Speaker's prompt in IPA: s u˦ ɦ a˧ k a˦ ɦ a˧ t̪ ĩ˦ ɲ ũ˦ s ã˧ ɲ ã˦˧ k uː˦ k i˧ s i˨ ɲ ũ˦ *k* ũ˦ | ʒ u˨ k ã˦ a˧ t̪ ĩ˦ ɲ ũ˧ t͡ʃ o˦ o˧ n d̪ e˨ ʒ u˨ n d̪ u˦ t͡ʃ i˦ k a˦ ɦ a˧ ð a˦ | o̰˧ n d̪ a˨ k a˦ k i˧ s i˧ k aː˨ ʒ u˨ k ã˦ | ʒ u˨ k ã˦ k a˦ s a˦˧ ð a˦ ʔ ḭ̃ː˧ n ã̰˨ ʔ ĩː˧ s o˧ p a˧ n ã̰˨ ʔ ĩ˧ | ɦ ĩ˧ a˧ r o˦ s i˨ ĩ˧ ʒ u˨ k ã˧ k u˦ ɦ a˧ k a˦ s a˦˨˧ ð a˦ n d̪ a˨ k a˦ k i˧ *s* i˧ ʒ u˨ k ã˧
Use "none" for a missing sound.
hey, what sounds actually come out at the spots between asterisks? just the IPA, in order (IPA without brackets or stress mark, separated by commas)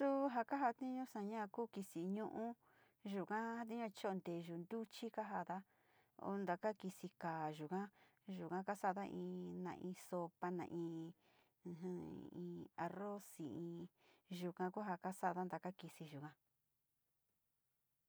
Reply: ʔ, s